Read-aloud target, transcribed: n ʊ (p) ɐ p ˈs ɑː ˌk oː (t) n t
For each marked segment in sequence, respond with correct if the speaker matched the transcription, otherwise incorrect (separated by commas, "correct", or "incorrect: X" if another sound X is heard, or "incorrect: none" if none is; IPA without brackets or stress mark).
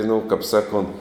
incorrect: k, incorrect: none